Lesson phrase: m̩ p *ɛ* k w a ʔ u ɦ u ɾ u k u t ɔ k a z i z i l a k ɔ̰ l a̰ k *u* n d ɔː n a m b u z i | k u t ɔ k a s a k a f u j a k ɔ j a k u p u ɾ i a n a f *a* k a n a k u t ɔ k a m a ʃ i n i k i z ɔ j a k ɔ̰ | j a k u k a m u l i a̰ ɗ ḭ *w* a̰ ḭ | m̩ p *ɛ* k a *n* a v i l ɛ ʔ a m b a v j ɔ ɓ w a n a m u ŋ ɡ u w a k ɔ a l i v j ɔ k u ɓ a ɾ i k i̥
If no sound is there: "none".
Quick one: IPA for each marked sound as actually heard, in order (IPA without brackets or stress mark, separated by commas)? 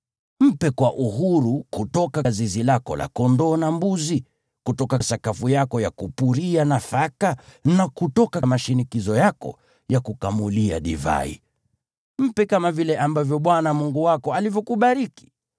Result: ɛ, ɔ, a, v, ɛ, m